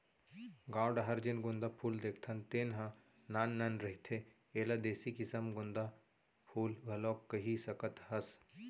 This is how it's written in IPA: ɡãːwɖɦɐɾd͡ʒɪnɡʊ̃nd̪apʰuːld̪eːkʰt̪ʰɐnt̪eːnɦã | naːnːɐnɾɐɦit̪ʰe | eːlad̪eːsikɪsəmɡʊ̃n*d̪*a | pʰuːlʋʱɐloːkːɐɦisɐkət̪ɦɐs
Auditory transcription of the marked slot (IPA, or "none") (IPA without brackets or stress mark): d̪